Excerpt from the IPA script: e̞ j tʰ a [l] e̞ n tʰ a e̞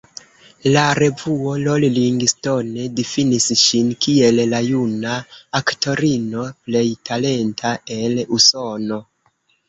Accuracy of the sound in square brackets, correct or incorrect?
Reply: correct